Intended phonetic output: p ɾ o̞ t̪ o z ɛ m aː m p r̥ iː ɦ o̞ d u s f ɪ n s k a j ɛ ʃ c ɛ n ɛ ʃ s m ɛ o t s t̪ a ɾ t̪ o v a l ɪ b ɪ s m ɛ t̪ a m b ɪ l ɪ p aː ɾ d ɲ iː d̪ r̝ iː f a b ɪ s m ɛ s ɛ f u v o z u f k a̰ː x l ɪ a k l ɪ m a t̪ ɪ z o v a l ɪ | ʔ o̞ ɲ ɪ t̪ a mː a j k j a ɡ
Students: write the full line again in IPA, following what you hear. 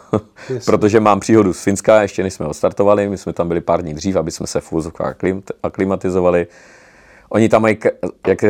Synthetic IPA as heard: p ɾ o̞ t̪ o ʒ ɛ m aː m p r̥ iː ɦ o̞ d u s f ɪ n s k a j ɛ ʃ c ɛ n ɛ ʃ s m ɛ o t s t̪ a ɾ t̪ o v a l ɪ m ɪ s m ɛ t̪ a m b ɪ l ɪ p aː ɾ d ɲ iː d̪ r̝ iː f a b ɪ s m ɛ s ɛ f u v o z o f k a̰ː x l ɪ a k l ɪ m a t̪ ɪ z o v a l ɪ | ʔ o̞ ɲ ɪ t̪ a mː a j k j a k